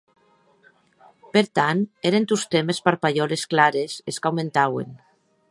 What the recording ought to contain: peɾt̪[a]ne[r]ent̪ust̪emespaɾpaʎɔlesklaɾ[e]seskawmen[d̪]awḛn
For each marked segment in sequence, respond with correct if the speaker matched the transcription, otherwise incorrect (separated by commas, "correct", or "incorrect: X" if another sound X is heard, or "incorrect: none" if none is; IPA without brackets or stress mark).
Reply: correct, incorrect: ɾ, correct, incorrect: t̪